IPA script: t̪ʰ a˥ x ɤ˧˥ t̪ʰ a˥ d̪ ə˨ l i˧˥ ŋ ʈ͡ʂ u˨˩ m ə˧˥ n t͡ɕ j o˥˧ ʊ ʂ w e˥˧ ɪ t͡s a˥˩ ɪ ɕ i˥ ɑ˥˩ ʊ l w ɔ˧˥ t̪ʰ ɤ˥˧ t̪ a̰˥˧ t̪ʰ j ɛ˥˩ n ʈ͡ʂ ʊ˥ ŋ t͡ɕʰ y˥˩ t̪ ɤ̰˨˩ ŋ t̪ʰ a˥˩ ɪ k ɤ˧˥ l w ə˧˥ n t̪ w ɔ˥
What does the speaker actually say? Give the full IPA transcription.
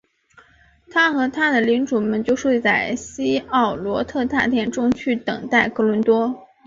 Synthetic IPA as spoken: t̪ʰ a˥ x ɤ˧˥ t̪ʰ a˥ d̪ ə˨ l i˧˥ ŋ ʈ͡ʂ u˨˩ m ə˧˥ n t͡ɕ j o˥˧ ʊ ʂ w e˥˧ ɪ t͡s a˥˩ ɪ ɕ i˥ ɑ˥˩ ʊ l w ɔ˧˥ t̪ʰ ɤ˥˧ t̪ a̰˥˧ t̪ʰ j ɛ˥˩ n ʈ͡ʂ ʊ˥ ŋ t͡ɕʰ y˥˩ t̪ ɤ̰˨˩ ŋ t̪ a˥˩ ɪ k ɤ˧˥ l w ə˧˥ n t̪ w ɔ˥

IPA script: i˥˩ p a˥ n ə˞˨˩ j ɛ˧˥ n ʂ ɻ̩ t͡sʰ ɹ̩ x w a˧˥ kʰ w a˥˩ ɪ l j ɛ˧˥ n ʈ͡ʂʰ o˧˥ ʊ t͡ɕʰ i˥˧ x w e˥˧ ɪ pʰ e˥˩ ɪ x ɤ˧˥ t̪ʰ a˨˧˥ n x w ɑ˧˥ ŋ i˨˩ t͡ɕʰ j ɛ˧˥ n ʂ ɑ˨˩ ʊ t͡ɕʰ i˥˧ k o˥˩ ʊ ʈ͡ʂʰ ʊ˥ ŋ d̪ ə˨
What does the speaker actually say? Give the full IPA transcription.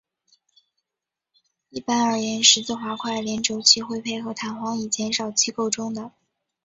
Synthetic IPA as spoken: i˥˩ p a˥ n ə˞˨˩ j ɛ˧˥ n ʂ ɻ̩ t͡s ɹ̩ x w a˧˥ kʰ w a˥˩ ɪ l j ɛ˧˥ n ʈ͡ʂ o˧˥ ʊ t͡ɕʰ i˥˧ x w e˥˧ ɪ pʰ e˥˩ ɪ x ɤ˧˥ t̪ʰ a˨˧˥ n x w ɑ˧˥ ŋ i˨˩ t͡ɕ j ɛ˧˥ n ʂ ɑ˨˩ ʊ t͡ɕʰ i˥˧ k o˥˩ ʊ ʈ͡ʂ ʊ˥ ŋ d̪ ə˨

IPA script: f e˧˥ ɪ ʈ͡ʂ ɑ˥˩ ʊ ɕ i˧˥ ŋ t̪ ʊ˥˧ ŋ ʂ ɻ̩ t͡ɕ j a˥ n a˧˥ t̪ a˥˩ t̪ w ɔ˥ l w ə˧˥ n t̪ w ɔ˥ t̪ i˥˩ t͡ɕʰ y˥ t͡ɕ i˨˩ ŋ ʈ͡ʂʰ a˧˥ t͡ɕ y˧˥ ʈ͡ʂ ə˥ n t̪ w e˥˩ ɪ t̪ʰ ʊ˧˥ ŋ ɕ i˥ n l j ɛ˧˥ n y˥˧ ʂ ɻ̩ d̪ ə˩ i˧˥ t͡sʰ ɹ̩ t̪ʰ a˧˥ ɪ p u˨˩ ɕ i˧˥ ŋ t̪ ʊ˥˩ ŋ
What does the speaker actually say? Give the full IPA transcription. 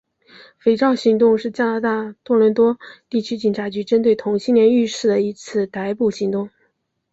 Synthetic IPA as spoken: f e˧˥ ɪ ʈ͡ʂ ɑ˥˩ ʊ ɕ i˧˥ ŋ t̪ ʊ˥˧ ŋ ʂ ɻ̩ t͡ɕ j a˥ n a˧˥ t̪ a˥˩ t̪ w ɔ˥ l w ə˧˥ n t̪ w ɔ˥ t̪ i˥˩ t͡ɕʰ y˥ t͡ɕ i˨˩ n ʈ͡ʂʰ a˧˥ t͡ɕ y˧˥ ʈ͡ʂ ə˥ n t̪ w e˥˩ ɪ t̪ʰ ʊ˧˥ ŋ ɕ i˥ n l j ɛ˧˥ n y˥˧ ʂ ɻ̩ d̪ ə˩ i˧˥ t͡sʰ ɹ̩ t̪ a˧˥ ɪ p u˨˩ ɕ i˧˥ ŋ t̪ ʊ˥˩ ŋ

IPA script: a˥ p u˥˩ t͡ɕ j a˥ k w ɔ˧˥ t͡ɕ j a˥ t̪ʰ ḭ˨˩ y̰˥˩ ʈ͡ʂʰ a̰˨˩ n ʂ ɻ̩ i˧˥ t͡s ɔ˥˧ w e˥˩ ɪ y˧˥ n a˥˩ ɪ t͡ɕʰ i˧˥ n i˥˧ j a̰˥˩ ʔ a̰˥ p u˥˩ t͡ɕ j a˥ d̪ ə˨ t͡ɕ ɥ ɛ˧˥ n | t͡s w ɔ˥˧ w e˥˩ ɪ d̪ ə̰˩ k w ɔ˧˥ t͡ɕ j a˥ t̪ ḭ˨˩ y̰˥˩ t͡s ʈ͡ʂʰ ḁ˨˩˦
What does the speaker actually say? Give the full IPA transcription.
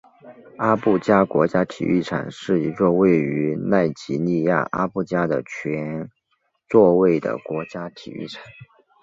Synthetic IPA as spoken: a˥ p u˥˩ t͡ɕ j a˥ k w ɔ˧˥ t͡ɕ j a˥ t̪ʰ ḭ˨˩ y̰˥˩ ʈ͡ʂʰ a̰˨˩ n ʂ ɻ̩ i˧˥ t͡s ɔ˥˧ w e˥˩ ɪ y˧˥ n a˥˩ ɪ t͡ɕ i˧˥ n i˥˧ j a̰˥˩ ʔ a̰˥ p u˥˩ t͡ɕ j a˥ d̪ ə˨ t͡ɕʰ ɥ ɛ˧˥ n | t͡s w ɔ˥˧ w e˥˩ ɪ d̪ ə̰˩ k w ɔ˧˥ t͡ɕ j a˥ t̪ʰ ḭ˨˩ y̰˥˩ ʈ͡ʂʰ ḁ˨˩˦

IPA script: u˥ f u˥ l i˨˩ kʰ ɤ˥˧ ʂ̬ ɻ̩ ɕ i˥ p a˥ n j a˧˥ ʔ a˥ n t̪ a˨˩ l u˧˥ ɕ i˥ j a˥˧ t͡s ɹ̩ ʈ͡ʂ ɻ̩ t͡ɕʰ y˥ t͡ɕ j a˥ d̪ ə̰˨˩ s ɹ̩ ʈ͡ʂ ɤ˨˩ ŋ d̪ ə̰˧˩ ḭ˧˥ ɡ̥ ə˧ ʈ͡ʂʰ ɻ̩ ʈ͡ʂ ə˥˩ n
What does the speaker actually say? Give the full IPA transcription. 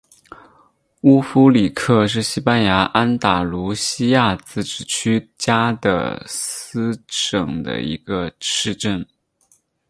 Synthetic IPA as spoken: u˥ f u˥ l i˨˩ kʰ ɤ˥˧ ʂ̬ ɻ̩ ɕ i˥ p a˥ n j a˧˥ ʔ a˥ n t̪ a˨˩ l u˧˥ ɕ i˥ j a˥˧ t͡s ɹ̩ ʈ͡ʂ ɻ̩ t͡ɕʰ y˥ t͡ɕ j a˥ d̪ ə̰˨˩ s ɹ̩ ʈ͡ʂ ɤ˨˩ ŋ d̪ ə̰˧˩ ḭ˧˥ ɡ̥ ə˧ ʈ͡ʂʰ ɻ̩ ʈ͡ʂ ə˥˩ n

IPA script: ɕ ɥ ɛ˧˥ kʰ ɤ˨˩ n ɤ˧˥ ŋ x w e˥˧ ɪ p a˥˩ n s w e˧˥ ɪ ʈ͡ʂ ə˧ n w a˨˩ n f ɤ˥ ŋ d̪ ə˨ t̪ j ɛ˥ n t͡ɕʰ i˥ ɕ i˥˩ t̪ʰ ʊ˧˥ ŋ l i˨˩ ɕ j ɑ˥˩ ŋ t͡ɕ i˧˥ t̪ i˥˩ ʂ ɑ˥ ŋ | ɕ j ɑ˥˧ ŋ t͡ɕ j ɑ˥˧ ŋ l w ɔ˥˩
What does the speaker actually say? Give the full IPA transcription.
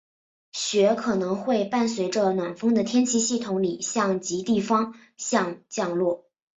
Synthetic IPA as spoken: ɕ ɥ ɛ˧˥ kʰ ɤ˨˩ n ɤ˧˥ ŋ x w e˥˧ ɪ p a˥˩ n s w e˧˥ ɪ ʈ͡ʂ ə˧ n w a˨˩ n f ɤ˥ ŋ d̪ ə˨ t̪ʰ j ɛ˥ n t͡ɕʰ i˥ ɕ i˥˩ t̪ʰ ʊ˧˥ ŋ l i˨˩ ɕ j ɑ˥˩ ŋ t͡ɕ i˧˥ t̪ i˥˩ f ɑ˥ ŋ | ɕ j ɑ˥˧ ŋ t͡ɕ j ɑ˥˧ ŋ l w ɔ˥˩

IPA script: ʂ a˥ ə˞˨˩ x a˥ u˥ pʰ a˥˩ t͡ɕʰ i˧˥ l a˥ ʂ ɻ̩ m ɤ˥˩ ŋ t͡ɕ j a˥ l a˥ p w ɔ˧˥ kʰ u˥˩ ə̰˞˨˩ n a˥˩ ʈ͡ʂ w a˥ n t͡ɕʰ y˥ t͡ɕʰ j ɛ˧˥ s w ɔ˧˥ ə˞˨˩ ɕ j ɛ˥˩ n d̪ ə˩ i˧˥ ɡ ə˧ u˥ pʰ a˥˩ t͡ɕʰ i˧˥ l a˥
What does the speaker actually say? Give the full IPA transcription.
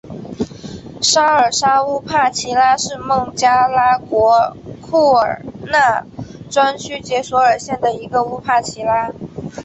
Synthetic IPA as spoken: ʂ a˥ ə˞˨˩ ʂ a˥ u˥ pʰ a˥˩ t͡ɕʰ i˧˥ l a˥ ʂ ɻ̩ m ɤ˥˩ ŋ t͡ɕ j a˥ l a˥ k w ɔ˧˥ kʰ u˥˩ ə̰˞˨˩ n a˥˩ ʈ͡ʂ w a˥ n t͡ɕʰ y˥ t͡ɕ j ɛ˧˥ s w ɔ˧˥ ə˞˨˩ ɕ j ɛ˥˩ n d̪ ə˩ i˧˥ ɡ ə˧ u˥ pʰ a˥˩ t͡ɕʰ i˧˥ l a˥

